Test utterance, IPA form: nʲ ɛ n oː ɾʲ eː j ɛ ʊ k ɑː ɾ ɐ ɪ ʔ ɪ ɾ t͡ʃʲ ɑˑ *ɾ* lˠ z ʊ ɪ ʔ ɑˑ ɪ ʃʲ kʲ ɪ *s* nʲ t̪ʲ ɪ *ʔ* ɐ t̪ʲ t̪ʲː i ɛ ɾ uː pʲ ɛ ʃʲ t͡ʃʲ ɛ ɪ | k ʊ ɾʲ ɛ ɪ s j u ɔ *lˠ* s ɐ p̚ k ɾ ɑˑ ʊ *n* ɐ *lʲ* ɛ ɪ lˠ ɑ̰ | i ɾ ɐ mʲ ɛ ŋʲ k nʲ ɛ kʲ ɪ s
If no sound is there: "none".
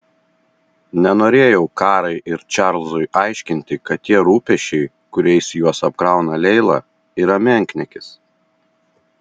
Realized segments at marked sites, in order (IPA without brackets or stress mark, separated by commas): ɾ, none, k, none, n, lʲ